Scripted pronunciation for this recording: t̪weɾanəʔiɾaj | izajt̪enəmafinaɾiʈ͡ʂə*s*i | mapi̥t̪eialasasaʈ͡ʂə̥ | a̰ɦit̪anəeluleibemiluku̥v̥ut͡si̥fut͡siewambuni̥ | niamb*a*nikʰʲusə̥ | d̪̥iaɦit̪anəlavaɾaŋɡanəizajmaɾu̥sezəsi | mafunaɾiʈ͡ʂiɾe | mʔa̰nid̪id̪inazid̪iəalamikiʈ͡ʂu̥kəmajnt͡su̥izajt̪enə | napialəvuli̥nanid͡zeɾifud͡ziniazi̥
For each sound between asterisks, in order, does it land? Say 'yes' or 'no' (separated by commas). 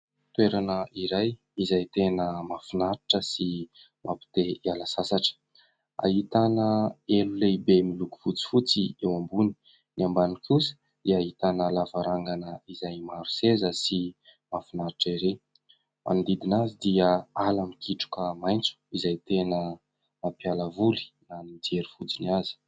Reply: yes, yes